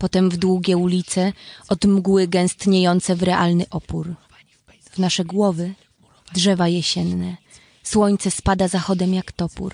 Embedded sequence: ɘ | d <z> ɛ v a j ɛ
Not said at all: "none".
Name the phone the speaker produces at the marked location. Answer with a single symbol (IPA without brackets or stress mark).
ʐ